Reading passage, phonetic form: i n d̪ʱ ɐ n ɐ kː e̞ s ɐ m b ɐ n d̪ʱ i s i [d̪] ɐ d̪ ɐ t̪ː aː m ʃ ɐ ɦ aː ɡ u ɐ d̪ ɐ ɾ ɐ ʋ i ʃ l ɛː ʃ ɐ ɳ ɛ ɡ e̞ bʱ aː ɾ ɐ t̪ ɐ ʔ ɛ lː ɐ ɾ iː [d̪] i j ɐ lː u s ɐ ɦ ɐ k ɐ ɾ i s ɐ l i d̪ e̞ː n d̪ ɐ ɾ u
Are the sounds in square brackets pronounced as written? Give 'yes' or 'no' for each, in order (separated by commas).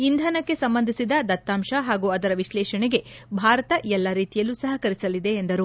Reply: yes, no